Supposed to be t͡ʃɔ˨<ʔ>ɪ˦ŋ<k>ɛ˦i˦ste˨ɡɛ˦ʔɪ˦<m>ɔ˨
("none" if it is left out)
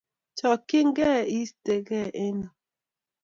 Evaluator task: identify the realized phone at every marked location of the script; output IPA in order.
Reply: k, ɡ, n

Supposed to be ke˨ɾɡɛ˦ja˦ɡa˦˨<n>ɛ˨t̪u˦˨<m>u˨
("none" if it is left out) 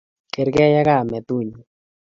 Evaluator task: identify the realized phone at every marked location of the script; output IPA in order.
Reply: m, ɲ

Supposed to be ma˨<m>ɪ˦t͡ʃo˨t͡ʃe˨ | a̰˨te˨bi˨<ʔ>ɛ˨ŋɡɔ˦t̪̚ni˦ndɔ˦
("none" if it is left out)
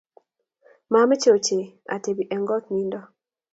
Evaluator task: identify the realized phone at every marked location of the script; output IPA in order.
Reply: m, ʔ

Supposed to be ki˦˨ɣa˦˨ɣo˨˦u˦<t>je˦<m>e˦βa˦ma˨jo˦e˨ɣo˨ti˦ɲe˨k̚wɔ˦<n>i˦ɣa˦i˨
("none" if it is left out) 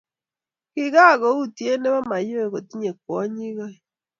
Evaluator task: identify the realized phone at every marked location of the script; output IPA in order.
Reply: t, n, ɲ

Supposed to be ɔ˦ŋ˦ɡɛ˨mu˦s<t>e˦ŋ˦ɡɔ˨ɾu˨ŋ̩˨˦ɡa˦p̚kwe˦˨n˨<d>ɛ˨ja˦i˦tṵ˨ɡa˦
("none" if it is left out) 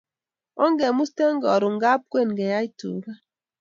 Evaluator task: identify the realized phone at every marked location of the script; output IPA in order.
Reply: t, ɡ

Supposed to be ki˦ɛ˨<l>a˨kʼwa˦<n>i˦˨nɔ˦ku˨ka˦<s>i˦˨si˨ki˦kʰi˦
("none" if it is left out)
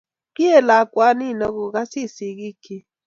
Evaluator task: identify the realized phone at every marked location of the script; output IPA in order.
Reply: l, n, s

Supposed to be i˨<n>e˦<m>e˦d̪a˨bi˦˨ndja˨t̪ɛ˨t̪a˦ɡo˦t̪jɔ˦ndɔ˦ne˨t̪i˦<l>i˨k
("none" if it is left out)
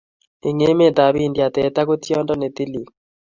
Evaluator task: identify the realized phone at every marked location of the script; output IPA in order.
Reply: ŋ, m, l

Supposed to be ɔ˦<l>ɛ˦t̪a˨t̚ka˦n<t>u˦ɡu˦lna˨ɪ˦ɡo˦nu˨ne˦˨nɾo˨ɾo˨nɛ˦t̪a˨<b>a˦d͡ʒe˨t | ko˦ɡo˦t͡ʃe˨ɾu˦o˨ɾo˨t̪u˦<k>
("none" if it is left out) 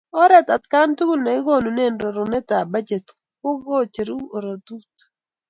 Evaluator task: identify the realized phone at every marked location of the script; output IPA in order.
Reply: ɾ, t, b, t

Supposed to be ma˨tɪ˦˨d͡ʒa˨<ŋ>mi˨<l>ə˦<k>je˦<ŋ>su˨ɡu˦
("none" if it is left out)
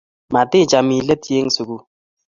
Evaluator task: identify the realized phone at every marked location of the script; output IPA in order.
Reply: none, l, t, ŋ

